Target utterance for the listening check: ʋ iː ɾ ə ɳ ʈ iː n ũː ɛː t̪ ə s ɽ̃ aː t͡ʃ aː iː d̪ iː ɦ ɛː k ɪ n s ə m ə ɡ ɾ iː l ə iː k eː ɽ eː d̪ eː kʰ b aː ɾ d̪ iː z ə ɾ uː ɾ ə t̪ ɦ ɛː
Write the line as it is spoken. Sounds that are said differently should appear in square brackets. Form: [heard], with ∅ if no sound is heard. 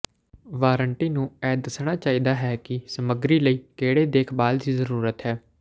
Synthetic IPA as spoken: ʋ [aː] ɾ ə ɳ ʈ iː n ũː ɛː [d̪] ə s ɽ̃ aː t͡ʃ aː iː d̪ [aː] ɦ ɛː k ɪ [∅] s ə m ə ɡ ɾ iː l ə iː k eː ɽ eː d̪ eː kʰ b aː [l] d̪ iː z ə ɾ uː ɾ ə t̪ ɦ ɛː

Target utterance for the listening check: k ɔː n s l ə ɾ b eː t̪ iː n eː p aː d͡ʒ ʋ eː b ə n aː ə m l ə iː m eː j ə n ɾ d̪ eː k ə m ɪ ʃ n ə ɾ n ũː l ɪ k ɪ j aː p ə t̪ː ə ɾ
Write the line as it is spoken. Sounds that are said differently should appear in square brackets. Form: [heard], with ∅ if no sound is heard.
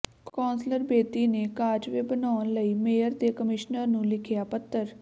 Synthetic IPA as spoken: k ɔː n s l ə ɾ b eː t̪ iː n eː [k] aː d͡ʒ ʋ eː b ə n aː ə [n] l ə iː m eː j ə [∅] ɾ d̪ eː k ə m ɪ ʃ n ə ɾ n ũː l ɪ [kʰ] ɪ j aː p ə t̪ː ə ɾ

